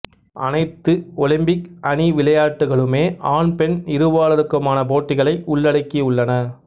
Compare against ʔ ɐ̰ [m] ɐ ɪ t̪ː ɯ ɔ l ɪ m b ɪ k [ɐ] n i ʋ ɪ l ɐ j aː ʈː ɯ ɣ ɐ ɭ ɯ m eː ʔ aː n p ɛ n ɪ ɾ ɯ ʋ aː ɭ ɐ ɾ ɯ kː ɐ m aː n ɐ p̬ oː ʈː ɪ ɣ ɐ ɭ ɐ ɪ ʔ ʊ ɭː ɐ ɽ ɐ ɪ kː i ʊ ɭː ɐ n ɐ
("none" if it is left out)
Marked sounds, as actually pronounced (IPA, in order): n, ɐ

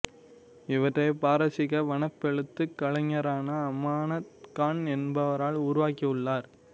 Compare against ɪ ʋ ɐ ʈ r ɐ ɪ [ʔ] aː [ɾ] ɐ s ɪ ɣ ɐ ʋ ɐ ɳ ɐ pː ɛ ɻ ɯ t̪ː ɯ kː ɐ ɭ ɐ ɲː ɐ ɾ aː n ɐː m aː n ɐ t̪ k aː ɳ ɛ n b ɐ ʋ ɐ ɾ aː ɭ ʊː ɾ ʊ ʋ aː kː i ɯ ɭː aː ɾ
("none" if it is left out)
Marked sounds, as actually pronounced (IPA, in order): p, ɾ

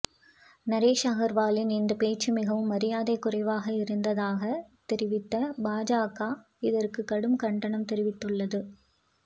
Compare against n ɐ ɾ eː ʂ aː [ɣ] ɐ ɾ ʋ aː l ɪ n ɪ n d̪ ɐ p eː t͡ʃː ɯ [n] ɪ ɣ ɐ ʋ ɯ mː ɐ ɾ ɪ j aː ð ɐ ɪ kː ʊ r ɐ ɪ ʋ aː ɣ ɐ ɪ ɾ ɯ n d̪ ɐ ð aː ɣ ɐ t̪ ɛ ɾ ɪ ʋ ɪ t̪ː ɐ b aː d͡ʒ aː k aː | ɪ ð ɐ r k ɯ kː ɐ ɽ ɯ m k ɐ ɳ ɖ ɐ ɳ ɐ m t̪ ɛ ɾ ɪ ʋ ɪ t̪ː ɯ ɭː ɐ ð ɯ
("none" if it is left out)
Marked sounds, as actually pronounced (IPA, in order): ɣ, m

